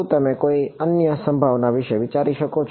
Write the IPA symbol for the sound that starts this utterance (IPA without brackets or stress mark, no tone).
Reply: t̪